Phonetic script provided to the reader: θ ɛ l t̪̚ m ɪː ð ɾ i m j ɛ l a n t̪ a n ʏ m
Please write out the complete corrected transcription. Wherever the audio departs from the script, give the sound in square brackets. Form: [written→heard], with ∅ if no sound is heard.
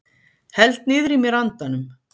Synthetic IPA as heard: [θ→h] ɛ l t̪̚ [m→n] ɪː ð ɾ i m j ɛ [l→ɾ] a n t̪ a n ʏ m